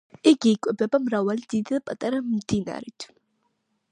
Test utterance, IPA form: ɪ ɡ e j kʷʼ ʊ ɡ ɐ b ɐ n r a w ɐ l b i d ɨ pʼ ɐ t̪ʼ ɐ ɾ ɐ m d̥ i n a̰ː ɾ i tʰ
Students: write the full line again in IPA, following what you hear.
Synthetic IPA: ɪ ɡ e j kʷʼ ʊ b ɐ b ɐ m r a w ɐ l d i d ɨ pʼ ɐ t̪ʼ ɐ ɾ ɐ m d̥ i n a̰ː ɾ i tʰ